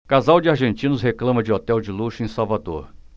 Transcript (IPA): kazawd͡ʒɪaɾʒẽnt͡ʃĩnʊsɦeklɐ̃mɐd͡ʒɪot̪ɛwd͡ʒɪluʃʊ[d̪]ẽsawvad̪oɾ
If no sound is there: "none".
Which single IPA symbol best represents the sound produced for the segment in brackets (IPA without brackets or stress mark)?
none